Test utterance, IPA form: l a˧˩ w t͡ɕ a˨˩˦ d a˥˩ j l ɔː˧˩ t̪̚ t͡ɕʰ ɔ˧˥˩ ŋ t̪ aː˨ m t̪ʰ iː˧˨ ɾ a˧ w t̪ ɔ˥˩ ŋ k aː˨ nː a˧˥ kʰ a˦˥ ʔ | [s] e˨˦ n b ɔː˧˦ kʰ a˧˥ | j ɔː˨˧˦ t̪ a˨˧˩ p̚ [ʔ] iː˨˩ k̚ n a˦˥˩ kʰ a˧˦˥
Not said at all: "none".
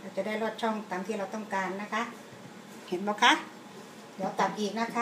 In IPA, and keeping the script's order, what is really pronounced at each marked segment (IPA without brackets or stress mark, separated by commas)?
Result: h, ʔ